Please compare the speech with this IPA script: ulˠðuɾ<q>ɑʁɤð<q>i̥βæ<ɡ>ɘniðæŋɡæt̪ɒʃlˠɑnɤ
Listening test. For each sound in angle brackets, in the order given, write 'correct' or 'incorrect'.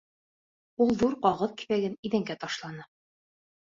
correct, incorrect: k, correct

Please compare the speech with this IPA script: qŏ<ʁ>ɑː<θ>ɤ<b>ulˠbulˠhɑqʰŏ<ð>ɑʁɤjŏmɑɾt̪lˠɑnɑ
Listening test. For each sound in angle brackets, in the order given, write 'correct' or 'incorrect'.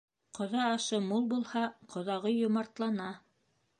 incorrect: ð, incorrect: ʃ, incorrect: m, correct

